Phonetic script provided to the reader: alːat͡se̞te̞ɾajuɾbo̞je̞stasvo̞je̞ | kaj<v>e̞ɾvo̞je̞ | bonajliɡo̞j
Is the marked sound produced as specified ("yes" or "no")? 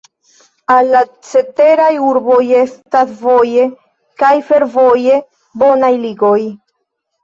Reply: no